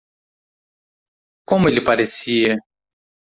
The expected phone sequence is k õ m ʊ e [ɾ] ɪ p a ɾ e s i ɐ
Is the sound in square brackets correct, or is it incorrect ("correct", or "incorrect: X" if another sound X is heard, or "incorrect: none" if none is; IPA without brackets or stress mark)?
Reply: incorrect: l